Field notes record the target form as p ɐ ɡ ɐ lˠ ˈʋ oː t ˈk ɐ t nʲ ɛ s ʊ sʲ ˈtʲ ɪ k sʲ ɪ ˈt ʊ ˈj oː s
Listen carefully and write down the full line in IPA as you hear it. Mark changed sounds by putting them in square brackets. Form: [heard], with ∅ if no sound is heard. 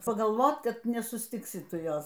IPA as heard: p ɐ ɡ ɐ lˠ ˈʋ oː t ˈk ɐ t nʲ ɛ s ʊ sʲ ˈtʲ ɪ k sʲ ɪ ˈt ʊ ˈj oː s